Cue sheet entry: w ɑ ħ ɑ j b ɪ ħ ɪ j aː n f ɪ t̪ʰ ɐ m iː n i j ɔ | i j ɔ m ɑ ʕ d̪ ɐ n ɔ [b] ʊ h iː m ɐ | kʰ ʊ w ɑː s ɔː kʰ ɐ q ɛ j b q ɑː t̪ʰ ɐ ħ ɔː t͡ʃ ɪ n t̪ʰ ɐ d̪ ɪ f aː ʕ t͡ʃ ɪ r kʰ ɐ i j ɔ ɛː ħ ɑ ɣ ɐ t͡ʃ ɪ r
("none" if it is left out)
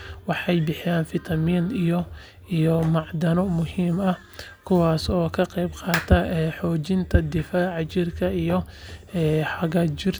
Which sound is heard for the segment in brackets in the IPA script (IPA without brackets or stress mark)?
m